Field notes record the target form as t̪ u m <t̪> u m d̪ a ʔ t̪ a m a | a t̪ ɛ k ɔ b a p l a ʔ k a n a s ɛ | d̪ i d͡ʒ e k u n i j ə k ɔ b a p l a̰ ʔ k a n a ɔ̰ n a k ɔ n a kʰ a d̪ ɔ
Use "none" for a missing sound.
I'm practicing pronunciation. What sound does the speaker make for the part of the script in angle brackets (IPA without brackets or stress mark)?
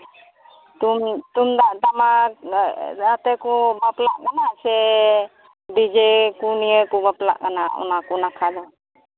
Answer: t̪